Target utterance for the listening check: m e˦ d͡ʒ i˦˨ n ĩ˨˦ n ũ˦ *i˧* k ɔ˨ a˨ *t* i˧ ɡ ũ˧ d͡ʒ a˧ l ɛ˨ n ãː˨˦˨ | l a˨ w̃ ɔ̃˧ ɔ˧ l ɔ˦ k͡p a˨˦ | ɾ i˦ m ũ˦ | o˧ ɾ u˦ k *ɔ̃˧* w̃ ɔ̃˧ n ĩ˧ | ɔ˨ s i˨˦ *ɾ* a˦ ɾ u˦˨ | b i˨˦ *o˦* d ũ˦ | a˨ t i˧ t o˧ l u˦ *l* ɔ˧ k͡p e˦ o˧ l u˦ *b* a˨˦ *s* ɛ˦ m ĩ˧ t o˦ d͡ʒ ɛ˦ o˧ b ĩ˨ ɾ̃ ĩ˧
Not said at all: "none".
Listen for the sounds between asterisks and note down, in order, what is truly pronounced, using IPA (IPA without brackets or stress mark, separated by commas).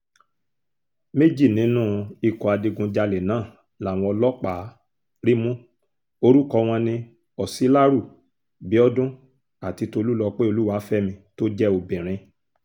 i˧, d, ɔ˧, l, ɔ˦, l, w, f